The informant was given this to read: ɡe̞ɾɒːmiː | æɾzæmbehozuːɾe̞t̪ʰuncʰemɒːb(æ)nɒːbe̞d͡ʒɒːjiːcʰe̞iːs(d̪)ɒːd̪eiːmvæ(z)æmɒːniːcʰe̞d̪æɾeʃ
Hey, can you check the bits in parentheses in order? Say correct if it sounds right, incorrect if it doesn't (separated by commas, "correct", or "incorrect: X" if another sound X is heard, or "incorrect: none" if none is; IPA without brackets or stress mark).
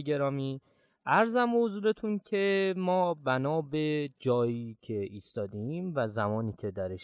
correct, incorrect: t̪, correct